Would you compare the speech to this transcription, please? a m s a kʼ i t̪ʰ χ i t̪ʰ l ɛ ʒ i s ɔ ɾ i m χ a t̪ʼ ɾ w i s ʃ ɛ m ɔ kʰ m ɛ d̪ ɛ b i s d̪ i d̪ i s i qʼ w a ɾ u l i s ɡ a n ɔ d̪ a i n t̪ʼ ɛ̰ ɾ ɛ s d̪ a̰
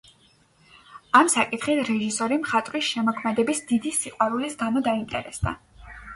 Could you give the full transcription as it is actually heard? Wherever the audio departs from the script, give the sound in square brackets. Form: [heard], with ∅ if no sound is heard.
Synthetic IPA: a m s a kʼ i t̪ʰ χ i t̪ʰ [ɾ] ɛ ʒ i s ɔ ɾ i m χ a t̪ʼ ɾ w i s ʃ ɛ m ɔ kʰ m ɛ d̪ ɛ b i s d̪ i d̪ i s i qʼ w a ɾ u l i s ɡ a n ɔ d̪ a i n t̪ʼ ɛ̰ ɾ ɛ s d̪ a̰